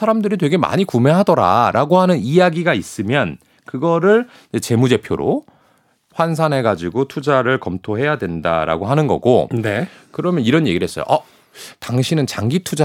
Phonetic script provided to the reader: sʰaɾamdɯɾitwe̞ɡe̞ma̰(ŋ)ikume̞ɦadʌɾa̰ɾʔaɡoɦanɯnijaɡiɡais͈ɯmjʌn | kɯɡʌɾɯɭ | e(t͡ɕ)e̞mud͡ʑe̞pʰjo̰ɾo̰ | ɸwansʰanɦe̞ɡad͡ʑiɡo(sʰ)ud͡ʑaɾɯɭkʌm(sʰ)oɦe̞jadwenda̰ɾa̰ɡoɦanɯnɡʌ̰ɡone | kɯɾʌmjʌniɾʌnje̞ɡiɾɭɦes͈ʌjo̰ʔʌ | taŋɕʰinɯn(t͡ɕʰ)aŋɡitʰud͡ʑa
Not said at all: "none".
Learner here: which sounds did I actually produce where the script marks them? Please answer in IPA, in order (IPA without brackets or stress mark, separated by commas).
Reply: ɲ, t͡ɕ, tʰ, tʰ, t͡ɕ